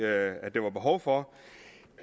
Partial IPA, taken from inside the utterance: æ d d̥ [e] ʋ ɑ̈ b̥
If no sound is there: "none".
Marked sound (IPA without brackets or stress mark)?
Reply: e